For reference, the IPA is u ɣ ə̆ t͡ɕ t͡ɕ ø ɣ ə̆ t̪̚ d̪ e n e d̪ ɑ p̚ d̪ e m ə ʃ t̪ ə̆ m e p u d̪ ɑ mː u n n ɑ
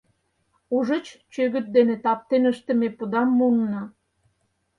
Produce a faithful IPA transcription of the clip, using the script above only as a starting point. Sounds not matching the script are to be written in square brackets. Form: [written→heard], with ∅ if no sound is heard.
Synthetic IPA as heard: u [ɣ→ʒ] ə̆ t͡ɕ t͡ɕ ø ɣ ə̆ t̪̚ d̪ e n e [d̪→t̪] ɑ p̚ [d̪→t̪] e [m→n] ə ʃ t̪ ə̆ m e p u d̪ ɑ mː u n n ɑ